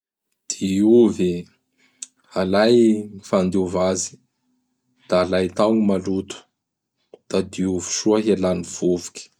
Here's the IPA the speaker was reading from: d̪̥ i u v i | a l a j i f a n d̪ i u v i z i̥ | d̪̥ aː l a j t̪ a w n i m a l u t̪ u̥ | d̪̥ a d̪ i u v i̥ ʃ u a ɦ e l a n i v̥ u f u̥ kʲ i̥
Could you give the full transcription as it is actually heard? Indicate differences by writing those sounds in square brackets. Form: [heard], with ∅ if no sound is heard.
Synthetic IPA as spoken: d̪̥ i u v i | a l a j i f a n d̪ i u v [a] z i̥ | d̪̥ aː l a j t̪ a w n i m a l u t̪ u̥ | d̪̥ a d̪ i u v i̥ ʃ u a ɦ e l a n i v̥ u [v] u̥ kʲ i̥

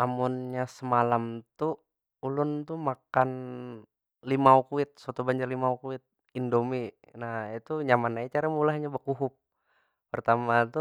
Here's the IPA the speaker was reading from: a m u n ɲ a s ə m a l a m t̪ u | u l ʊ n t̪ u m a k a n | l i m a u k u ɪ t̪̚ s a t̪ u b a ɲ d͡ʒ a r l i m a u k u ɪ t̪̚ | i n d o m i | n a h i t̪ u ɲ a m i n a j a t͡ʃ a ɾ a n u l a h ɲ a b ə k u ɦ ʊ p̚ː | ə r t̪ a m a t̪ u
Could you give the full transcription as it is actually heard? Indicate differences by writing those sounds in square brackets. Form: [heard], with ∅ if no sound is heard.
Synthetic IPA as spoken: a m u n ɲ a s ə m a l a m t̪ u | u l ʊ n t̪ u m a k a n | l i m a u k u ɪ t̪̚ s a t̪ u b a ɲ d͡ʒ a r l i m a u k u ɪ t̪̚ | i n d o m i | n a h i t̪ u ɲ a m [a] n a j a t͡ʃ a ɾ a [m] u l a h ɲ a b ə k u ɦ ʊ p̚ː | ə r t̪ a m a t̪ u

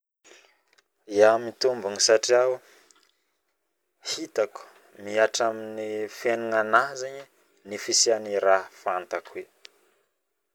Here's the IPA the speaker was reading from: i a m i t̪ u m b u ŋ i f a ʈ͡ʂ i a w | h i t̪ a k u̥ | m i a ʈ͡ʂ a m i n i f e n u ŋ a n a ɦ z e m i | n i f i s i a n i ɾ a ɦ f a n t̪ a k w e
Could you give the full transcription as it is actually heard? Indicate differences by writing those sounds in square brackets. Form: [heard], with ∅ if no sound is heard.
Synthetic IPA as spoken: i a m i t̪ u m b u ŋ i [s] a ʈ͡ʂ i a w | h i t̪ a k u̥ | m i a ʈ͡ʂ a m i n i f e n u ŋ a n a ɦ z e [ɲ] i | n i f i s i a n i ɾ a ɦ f a n t̪ a k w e

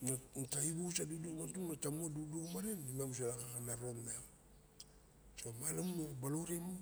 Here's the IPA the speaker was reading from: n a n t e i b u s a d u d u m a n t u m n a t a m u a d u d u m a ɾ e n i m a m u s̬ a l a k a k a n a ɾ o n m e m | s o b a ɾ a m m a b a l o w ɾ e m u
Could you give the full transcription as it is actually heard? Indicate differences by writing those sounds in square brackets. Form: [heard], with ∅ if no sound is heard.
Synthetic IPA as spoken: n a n t [a] i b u s a d u d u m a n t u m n a t a m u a d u d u m a ɾ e n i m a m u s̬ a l a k a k a n a ɾ o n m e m | s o [m] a [l] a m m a b a l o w ɾ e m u

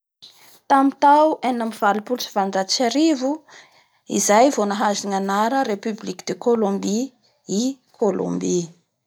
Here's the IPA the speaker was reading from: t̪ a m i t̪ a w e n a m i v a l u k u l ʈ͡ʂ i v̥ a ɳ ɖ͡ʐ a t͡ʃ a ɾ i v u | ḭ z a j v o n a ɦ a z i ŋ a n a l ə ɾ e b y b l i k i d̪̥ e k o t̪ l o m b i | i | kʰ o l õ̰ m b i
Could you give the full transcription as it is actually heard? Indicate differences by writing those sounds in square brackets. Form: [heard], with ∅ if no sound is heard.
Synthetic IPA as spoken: t̪ a m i t̪ a w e n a m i v a l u [p] u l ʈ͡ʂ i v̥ a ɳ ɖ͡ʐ a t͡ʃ a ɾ i v u | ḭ z a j v o n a ɦ a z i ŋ a n a [ɾ] ə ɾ e [p] y b l i k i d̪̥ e k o [∅] l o m b i | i | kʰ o l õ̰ m b i

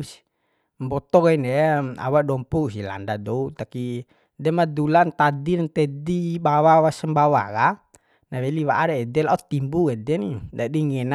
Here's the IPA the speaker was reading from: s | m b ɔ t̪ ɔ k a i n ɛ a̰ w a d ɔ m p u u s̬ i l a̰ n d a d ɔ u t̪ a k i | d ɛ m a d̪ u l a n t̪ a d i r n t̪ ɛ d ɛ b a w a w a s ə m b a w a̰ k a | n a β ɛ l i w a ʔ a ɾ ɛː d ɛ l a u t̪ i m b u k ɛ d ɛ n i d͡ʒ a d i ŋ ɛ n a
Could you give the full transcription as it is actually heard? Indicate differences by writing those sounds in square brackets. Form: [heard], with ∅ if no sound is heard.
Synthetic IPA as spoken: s | m b ɔ t̪ ɔ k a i n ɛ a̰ w a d ɔ m p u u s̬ i l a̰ n d a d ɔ u t̪ a k i | d ɛ m a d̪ u l a n t̪ a d i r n t̪ ɛ d [i] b a w a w a s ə m b a w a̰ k a | n a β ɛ l i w a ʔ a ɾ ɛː d ɛ l a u t̪ i m b u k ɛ d ɛ n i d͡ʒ a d i ŋ ɛ n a

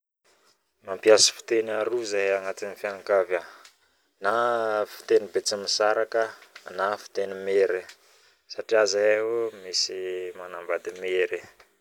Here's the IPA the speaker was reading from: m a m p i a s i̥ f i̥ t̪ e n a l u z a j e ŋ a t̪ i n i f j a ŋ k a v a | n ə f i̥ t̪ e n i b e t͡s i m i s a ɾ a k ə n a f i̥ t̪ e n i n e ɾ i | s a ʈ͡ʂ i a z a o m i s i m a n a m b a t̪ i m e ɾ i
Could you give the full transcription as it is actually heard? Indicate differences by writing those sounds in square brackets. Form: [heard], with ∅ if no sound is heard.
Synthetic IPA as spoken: m a m p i a s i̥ f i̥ t̪ e n a [ɾ] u z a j [a] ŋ a t̪ i n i f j a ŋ k a v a | n [a] f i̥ t̪ e n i b e t͡s i m i s a ɾ a k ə n a f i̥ t̪ e n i [m] e ɾ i | s a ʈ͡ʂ i a z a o m i s i m a n a m b a [d̪] i m e ɾ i

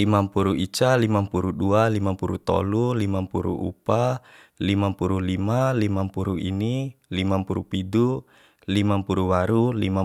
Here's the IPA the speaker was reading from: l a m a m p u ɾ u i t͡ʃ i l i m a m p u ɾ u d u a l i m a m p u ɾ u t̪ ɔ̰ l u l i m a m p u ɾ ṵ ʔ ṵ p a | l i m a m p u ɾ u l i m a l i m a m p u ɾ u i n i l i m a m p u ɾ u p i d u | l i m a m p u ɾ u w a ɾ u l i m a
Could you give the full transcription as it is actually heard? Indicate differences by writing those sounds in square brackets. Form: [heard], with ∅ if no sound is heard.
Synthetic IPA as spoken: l [i] m a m p u ɾ u i t͡ʃ [a] l i m a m p u ɾ u d u a l i m a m p u ɾ u t̪ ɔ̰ l u l i m a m p u ɾ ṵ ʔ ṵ p a | l i m a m p u ɾ u l i m a l i m a m p u ɾ u i n i l i m a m p u ɾ u p i d u | l i m a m p u ɾ u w a ɾ u l i m a

